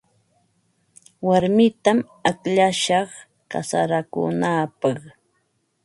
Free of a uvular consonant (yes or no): no